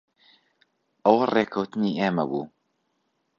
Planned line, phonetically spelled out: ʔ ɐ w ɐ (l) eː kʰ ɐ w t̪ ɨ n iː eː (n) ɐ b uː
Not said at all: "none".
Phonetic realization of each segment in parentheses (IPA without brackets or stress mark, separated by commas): r, m